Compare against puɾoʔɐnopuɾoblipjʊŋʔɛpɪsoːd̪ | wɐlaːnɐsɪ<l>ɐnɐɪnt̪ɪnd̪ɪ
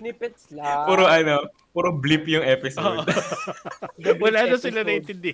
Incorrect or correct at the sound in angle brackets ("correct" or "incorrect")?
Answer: correct